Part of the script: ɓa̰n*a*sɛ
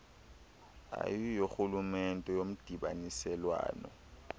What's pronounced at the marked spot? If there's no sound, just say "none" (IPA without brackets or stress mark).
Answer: i